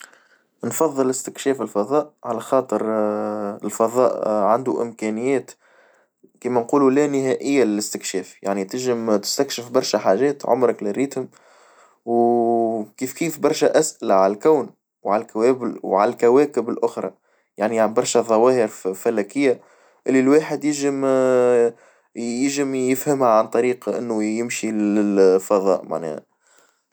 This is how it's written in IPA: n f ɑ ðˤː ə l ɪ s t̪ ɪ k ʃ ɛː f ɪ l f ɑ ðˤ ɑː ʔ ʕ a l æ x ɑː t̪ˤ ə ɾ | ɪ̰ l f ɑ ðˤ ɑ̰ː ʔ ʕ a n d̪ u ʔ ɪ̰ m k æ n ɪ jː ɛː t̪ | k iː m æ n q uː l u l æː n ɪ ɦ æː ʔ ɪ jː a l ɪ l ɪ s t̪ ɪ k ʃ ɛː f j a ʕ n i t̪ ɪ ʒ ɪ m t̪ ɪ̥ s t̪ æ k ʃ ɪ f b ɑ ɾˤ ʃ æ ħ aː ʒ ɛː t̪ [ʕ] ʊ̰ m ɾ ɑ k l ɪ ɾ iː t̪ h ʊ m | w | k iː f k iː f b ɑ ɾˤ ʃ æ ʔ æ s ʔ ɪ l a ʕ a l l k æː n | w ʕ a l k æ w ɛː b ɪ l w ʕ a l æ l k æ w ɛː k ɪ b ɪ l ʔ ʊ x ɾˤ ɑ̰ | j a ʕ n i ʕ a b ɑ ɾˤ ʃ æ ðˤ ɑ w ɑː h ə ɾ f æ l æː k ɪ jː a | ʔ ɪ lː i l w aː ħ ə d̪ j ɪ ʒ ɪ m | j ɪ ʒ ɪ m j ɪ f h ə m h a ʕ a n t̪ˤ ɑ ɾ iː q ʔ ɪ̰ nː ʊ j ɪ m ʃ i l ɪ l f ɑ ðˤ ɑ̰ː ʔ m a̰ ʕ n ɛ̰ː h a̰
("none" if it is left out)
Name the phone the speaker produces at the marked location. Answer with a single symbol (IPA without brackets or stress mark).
ʕ